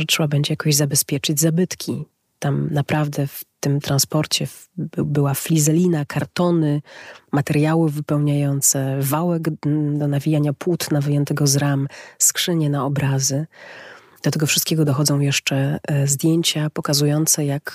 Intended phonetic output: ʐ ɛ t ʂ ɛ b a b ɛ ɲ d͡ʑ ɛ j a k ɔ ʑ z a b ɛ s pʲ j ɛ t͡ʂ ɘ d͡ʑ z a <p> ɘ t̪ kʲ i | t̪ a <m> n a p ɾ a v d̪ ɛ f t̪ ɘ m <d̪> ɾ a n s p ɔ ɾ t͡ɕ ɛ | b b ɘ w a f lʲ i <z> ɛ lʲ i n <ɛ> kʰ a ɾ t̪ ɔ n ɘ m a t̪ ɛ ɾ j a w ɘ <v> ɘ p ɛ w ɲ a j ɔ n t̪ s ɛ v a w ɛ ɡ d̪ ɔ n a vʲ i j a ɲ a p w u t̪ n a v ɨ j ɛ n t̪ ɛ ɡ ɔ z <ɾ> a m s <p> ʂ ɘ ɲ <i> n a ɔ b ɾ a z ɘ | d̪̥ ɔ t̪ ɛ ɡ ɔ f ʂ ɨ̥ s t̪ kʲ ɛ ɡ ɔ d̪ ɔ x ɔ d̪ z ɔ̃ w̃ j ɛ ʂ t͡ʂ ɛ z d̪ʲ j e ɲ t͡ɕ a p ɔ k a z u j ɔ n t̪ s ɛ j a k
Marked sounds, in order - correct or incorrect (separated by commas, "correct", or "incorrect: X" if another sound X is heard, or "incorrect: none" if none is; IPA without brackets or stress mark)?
incorrect: b, correct, incorrect: t̪, correct, incorrect: a, correct, correct, incorrect: k, incorrect: ɛ